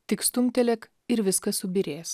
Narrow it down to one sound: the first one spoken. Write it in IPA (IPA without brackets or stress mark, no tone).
t̪ʲ